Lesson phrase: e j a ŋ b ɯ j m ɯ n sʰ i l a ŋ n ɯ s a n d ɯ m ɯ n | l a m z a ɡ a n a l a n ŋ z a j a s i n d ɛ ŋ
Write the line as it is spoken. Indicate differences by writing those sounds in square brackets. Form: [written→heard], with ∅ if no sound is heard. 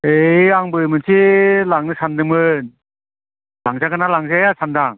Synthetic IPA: e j a ŋ b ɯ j m ɯ n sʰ i l a ŋ n ɯ s a n d ɯ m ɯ n | l a [m→ŋ] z a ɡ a n a l a [n→∅] ŋ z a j a s [i→a] n d [ɛ→a] ŋ